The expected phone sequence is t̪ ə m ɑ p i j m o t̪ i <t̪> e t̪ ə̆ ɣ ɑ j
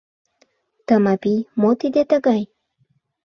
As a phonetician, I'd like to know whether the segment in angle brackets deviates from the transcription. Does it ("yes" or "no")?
yes